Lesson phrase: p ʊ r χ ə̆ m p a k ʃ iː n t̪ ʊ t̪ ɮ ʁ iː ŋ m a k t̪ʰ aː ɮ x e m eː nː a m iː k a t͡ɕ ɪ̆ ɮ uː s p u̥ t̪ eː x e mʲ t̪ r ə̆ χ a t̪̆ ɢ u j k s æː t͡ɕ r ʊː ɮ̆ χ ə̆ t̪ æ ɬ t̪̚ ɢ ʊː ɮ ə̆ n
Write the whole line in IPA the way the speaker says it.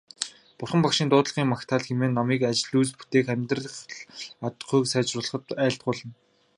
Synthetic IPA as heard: p ʊ r χ ə̆ m p a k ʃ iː n t̪ ʊː t̪ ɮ ʁ iː ŋ m a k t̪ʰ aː ɮ x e m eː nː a m iː k a t͡ɕ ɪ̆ ɮ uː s p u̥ t̪ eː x æ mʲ t̪ r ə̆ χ a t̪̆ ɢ u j k s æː t͡ɕ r ʊː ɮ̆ χ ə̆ t̪ æː ɬ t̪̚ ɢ ʊː ɮ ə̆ n